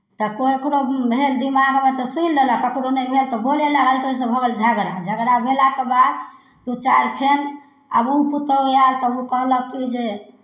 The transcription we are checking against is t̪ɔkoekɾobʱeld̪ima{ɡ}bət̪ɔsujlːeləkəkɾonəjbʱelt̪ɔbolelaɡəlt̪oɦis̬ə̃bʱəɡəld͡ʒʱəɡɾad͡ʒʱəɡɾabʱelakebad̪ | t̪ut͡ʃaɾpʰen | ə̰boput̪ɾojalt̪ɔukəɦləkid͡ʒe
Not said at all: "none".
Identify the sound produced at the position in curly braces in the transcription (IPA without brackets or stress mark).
ɡ